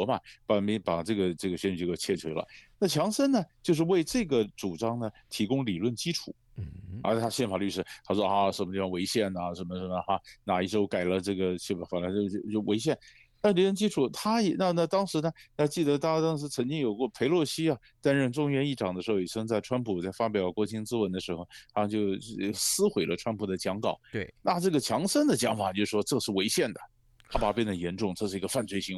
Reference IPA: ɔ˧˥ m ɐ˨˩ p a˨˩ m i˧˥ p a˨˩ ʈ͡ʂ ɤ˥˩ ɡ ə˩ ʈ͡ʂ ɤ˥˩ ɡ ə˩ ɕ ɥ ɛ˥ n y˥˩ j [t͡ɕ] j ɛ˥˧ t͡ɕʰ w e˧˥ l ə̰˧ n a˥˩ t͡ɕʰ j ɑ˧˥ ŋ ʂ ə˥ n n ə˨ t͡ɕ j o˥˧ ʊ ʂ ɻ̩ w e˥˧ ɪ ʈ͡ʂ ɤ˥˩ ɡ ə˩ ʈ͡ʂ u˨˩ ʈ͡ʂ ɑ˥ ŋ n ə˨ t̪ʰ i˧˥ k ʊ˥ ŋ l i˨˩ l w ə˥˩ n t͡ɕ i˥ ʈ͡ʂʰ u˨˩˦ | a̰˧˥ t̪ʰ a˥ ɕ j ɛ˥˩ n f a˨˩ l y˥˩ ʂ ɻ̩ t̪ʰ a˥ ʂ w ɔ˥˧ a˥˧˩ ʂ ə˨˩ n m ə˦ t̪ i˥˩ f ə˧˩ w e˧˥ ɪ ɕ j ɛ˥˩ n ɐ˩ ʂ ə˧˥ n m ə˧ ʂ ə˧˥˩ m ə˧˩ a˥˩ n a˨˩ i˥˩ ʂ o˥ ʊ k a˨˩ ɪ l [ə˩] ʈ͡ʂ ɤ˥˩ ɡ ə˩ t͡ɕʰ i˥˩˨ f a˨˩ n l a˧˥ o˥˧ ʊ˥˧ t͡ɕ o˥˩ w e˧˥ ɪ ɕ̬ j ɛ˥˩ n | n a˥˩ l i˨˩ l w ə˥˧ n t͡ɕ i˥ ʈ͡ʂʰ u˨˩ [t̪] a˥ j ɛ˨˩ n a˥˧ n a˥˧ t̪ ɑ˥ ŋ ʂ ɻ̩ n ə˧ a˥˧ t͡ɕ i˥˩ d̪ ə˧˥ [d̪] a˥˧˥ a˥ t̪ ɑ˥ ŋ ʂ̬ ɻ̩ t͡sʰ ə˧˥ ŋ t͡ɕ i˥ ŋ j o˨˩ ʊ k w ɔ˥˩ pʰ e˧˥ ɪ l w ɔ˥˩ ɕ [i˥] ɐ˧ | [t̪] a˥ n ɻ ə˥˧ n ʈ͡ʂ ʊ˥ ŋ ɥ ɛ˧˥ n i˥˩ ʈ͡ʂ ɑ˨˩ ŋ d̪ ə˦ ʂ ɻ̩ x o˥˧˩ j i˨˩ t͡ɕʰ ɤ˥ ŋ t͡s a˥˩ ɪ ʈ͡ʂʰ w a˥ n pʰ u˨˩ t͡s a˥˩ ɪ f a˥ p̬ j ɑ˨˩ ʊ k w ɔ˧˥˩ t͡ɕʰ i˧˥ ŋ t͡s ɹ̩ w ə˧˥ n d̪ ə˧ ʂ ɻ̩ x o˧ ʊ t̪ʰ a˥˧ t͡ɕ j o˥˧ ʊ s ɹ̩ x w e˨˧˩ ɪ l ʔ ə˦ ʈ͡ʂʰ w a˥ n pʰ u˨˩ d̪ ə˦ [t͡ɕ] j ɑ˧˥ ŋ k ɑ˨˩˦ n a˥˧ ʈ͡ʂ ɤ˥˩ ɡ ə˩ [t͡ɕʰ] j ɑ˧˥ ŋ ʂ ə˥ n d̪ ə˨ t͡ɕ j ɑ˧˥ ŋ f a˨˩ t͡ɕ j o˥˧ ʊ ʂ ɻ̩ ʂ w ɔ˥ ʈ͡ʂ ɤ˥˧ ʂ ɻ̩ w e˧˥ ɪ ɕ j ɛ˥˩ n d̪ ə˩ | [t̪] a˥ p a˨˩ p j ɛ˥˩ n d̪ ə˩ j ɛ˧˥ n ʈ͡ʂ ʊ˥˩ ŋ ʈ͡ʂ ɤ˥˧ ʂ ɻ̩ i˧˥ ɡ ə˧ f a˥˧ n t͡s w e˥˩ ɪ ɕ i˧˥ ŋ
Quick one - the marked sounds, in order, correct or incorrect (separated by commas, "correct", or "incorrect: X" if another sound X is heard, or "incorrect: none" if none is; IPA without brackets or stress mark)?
incorrect: t͡ɕʰ, incorrect: ə˦, incorrect: t̪ʰ, incorrect: t̪, correct, correct, correct, correct, incorrect: t̪ʰ